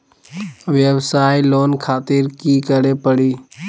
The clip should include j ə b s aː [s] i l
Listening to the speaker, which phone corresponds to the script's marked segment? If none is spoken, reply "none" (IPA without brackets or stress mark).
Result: none